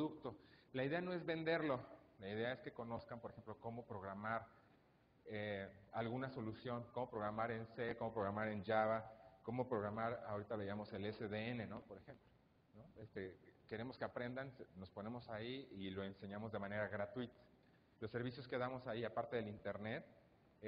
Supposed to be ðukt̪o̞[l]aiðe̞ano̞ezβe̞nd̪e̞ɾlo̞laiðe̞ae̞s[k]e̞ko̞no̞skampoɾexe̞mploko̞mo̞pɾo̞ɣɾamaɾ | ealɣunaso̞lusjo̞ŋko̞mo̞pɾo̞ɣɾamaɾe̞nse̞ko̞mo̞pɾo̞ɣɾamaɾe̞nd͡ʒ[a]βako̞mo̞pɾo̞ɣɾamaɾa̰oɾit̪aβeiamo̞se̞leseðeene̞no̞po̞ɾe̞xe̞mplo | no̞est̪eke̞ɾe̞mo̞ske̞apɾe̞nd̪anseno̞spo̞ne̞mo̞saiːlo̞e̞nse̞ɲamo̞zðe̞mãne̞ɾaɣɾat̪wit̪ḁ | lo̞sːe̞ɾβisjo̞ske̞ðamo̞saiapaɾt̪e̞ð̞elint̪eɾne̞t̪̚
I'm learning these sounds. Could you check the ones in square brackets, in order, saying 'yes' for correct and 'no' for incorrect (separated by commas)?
yes, yes, yes